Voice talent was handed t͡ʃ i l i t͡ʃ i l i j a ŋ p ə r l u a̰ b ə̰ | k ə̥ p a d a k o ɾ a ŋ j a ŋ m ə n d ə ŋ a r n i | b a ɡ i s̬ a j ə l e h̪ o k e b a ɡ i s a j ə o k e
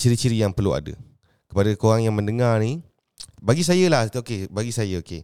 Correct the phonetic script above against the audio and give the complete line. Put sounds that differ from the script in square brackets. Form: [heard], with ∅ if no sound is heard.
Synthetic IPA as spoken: t͡ʃ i [ɾ] i t͡ʃ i [ɾ] i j a ŋ p ə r l u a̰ [d] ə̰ | k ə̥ p a d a k o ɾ a ŋ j a ŋ m ə n d ə ŋ a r n i | b a ɡ i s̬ a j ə l [a] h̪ o k e b a ɡ i s a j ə o k e